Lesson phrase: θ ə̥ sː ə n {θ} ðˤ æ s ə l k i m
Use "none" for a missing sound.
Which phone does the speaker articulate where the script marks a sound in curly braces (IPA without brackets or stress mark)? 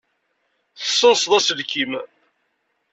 s